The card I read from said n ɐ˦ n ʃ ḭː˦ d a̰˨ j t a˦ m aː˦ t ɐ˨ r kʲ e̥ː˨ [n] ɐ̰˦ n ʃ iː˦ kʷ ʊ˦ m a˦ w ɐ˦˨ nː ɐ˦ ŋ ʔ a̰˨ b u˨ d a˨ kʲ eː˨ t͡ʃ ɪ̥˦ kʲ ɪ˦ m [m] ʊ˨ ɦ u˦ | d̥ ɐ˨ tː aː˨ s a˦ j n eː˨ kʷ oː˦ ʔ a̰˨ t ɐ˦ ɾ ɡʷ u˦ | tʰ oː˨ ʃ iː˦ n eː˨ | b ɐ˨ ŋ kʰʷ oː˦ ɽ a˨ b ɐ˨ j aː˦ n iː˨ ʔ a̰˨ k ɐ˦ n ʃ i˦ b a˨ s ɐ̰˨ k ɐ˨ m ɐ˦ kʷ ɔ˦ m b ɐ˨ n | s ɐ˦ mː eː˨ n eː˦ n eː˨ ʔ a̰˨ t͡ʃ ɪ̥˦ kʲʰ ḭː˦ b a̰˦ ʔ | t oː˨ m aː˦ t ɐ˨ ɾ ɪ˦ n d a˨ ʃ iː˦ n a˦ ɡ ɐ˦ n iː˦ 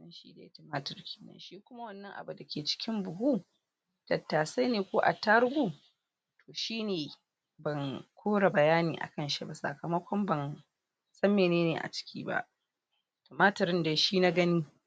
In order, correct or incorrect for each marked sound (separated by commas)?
correct, incorrect